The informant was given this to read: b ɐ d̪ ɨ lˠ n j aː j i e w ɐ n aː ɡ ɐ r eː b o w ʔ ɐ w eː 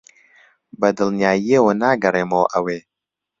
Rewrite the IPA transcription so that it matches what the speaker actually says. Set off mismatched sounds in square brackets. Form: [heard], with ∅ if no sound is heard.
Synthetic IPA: b ɐ d̪ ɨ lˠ n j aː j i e w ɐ n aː ɡ ɐ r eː [m] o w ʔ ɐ w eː